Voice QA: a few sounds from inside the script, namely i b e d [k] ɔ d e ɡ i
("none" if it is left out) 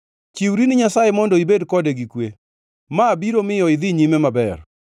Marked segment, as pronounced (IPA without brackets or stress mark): k